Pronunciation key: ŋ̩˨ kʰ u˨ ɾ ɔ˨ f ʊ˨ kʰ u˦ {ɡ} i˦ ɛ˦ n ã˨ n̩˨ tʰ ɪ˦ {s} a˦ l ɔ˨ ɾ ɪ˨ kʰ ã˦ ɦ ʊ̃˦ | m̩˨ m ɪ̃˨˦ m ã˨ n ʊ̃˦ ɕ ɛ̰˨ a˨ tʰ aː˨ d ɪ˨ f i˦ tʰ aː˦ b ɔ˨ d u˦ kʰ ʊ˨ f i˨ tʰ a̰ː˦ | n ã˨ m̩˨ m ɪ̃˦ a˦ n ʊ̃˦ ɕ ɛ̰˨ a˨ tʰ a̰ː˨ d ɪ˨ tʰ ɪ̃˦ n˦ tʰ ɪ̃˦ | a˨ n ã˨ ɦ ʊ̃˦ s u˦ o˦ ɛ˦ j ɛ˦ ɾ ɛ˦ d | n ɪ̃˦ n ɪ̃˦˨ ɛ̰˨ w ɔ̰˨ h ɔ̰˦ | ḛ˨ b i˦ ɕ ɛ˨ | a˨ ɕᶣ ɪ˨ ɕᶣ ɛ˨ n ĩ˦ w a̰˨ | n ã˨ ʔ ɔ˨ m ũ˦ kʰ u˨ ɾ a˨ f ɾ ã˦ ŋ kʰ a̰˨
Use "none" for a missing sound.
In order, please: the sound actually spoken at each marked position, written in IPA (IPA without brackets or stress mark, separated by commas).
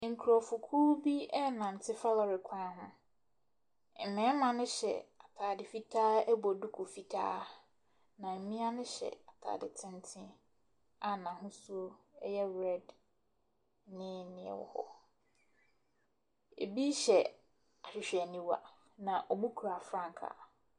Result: b, f